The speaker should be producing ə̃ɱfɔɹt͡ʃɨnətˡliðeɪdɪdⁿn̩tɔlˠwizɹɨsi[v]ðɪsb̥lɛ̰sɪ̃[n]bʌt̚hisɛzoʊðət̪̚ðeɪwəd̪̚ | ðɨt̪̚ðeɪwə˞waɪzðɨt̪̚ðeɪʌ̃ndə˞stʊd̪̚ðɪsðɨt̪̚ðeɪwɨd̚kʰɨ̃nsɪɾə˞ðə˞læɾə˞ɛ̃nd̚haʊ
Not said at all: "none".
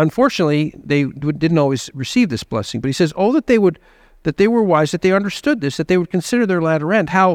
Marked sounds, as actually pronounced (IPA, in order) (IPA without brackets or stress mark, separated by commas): v, ŋ